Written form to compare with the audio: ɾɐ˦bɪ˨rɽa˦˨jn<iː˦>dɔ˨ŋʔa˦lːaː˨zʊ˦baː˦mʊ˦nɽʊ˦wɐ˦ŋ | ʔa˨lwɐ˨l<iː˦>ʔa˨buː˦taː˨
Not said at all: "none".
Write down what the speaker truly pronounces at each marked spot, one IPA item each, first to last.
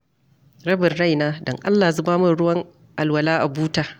aː˦, aː˦

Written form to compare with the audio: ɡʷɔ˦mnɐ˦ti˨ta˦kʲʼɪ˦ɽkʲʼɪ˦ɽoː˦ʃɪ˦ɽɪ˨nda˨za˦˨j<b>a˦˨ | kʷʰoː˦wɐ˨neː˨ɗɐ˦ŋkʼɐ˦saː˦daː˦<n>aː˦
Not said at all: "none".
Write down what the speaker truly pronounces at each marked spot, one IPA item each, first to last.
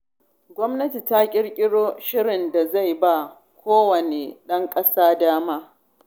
b, m

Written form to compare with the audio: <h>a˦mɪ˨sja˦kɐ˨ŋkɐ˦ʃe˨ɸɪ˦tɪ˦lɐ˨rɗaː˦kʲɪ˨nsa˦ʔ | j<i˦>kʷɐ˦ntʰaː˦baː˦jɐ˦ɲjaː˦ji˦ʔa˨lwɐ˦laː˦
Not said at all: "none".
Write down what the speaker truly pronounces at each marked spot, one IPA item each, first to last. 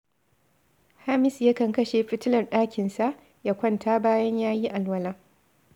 h, a˦

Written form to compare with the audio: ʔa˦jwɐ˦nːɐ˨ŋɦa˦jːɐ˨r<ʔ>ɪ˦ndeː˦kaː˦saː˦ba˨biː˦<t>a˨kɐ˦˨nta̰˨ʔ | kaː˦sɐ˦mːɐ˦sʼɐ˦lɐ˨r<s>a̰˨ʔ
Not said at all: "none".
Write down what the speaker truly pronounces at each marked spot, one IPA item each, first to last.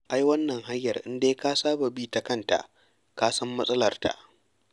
ʔ, t, t

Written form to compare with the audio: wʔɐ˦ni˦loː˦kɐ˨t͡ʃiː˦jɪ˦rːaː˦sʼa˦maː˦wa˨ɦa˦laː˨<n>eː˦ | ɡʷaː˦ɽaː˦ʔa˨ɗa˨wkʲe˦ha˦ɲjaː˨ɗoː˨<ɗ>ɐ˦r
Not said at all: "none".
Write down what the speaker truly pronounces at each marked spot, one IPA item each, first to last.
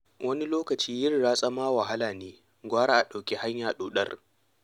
n, ɗ

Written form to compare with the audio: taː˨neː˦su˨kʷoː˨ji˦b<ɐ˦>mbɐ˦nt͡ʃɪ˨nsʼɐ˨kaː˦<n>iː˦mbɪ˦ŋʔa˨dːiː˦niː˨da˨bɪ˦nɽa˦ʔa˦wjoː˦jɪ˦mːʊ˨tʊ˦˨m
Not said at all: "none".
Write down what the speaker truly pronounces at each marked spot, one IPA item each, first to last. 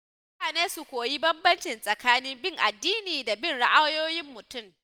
ɐ˦, n

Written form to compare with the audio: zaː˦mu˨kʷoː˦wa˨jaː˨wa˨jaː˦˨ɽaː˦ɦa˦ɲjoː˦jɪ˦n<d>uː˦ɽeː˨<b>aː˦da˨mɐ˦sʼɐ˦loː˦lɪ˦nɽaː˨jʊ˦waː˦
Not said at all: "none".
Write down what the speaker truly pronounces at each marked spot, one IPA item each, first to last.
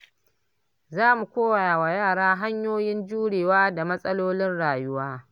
d͡ʒ, w

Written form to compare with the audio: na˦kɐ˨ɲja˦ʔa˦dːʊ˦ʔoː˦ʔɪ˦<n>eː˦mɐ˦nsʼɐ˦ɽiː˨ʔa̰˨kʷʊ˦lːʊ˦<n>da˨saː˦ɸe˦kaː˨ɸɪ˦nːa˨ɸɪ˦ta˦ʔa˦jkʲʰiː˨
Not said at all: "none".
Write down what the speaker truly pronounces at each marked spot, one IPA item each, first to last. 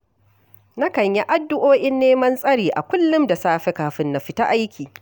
nː, m

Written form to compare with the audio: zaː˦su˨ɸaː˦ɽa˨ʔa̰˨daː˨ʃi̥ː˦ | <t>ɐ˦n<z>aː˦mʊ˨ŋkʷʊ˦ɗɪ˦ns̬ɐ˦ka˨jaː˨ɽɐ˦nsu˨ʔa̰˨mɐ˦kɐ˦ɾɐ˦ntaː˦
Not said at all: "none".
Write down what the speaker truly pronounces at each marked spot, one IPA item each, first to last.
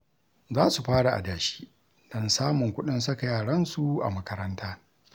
d, s

